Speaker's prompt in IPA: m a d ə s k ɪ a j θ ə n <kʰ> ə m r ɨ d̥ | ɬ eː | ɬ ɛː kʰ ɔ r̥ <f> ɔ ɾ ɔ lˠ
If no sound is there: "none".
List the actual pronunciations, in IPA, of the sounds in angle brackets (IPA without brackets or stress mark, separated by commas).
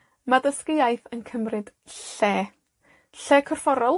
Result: kʰ, f